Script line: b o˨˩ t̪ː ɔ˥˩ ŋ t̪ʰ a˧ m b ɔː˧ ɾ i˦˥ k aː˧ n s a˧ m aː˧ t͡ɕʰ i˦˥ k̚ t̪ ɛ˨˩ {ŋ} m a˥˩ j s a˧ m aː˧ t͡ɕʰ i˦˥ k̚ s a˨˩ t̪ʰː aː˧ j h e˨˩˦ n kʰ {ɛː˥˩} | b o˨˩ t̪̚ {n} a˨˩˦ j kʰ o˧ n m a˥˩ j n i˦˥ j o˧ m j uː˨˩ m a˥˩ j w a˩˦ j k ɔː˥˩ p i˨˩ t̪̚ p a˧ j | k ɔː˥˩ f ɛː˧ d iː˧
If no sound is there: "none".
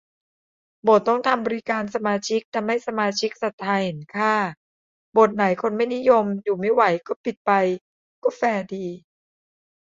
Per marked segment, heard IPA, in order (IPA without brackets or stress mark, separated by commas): none, aː˥˩, n